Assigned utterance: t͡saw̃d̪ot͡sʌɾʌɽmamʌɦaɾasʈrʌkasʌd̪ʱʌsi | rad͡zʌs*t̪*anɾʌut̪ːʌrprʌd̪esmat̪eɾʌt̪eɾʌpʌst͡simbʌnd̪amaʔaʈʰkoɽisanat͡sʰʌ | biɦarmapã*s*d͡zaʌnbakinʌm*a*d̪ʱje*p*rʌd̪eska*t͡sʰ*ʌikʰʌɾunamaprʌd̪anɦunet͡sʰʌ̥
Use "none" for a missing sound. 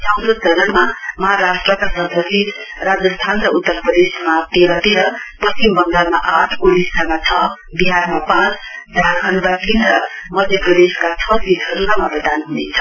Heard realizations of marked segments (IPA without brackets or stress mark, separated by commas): t̪ʰ, t͡s, ʌ, p, t͡sʰ